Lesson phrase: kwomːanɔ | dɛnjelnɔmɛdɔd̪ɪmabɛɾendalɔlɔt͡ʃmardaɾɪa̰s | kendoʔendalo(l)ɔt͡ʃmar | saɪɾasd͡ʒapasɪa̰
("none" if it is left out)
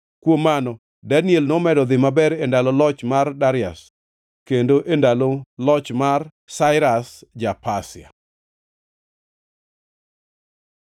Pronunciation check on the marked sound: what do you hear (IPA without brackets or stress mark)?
l